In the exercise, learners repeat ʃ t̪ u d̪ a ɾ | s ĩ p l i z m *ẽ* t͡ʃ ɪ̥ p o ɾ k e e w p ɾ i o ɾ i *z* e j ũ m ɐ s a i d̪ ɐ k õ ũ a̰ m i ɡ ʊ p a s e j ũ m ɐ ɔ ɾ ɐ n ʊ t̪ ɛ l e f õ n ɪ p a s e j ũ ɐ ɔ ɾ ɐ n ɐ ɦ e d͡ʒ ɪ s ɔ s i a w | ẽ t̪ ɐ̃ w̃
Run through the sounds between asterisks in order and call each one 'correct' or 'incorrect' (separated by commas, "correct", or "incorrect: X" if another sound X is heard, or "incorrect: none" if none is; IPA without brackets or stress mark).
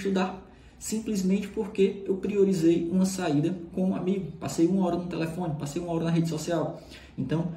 correct, correct